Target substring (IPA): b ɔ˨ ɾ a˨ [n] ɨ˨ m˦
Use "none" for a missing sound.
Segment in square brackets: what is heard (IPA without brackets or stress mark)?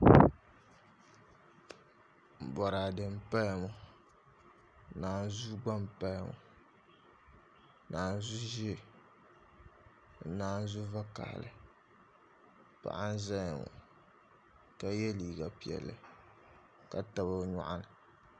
d